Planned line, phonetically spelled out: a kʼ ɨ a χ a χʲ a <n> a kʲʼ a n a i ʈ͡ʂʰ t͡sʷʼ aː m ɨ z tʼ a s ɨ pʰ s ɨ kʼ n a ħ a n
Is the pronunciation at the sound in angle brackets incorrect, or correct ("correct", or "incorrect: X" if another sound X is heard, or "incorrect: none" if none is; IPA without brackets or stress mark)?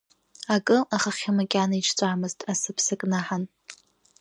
incorrect: m